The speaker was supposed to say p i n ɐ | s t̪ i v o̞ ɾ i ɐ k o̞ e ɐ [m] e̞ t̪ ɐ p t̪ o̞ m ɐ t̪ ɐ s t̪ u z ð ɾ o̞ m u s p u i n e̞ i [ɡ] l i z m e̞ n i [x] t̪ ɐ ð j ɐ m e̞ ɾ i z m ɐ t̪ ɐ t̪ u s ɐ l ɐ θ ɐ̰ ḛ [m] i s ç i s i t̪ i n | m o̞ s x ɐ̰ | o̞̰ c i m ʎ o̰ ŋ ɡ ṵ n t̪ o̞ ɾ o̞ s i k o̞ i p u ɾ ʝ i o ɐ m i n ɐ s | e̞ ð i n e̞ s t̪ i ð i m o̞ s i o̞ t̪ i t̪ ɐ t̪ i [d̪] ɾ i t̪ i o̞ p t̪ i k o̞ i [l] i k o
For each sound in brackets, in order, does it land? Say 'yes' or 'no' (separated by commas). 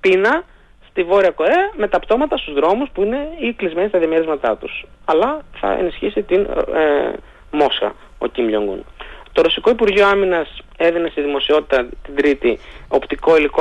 yes, no, no, no, yes, yes